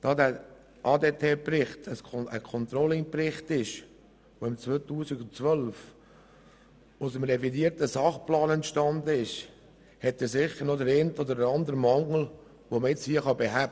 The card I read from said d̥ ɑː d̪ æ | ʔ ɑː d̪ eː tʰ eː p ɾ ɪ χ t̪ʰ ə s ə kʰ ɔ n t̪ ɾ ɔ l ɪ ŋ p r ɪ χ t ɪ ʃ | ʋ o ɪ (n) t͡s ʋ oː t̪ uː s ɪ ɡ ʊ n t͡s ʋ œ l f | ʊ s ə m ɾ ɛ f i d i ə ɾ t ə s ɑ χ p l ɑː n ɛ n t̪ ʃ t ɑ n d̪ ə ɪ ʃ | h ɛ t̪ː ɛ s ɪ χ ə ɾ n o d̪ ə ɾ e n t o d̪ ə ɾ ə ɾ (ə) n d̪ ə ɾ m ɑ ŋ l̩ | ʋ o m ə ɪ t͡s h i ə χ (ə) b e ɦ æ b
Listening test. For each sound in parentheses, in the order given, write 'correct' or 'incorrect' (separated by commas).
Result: incorrect, incorrect, incorrect